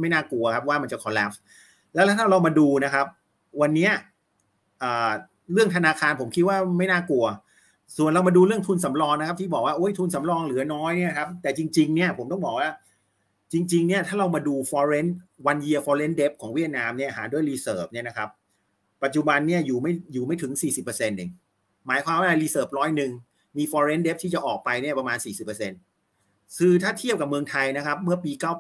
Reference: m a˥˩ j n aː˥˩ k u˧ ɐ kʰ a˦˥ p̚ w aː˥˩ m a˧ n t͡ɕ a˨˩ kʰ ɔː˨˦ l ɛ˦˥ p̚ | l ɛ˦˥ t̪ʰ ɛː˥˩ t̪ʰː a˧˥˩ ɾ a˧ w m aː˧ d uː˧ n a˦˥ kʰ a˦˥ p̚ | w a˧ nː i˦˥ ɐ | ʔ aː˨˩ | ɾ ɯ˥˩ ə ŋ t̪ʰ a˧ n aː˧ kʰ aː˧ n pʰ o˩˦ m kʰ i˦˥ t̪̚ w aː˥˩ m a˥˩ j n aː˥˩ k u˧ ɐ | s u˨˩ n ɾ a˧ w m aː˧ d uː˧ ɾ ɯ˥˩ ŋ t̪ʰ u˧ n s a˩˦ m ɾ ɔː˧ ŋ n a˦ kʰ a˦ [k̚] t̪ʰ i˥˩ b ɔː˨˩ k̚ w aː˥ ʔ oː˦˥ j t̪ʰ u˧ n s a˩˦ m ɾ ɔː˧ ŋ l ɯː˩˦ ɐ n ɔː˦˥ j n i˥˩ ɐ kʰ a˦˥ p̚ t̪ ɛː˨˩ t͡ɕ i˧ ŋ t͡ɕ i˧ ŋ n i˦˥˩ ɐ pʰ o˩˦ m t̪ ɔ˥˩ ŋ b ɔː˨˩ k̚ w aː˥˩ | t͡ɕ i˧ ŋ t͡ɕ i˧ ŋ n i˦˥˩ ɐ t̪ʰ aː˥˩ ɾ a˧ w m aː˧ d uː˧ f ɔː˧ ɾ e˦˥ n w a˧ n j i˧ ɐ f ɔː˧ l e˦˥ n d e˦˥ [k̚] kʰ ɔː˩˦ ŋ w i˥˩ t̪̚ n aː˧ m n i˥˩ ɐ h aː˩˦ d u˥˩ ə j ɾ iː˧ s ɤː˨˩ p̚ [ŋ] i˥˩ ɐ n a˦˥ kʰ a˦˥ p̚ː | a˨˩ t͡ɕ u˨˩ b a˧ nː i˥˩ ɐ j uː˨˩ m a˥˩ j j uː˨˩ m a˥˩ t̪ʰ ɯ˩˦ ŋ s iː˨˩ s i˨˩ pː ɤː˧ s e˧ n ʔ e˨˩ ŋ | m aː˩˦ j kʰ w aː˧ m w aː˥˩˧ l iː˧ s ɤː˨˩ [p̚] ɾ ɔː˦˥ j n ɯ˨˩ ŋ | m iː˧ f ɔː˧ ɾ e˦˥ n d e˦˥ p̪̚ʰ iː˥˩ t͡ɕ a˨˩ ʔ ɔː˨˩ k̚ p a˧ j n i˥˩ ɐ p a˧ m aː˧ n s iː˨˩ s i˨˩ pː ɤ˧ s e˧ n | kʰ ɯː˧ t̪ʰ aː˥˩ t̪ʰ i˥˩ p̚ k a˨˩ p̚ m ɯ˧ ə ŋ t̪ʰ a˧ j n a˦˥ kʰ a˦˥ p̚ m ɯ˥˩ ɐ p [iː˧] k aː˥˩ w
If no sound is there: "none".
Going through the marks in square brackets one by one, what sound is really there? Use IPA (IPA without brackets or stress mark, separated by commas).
p̚, p̚, n, p̚, iː˧